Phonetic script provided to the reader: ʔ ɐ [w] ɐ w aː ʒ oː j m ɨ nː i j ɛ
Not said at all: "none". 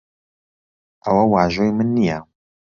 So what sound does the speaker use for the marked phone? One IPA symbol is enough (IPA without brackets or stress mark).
w